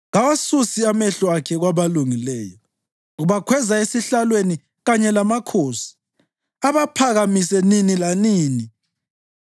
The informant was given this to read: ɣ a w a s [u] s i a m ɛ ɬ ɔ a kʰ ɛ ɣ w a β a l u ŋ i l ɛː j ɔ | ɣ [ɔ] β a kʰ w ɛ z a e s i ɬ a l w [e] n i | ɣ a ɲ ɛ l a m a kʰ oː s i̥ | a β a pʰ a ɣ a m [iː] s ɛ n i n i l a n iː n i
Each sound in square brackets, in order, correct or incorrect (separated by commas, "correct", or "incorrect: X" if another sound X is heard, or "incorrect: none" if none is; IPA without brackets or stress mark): correct, incorrect: u, correct, incorrect: i